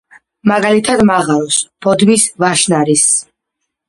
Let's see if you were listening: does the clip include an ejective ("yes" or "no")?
no